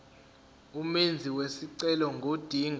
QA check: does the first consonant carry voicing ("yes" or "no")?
yes